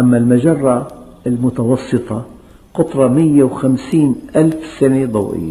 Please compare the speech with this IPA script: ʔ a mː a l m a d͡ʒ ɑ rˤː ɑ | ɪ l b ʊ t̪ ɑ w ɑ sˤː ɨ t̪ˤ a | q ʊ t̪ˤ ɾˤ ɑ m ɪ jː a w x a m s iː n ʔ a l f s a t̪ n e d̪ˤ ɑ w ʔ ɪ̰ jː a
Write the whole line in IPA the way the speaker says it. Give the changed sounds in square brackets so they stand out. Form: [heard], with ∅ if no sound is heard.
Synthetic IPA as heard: ʔ a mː a l m a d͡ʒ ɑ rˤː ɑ | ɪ l [m] ʊ t̪ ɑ w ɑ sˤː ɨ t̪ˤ [ɑ] | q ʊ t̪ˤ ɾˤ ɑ m ɪ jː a w x a m s iː n ʔ a l f s a [∅] n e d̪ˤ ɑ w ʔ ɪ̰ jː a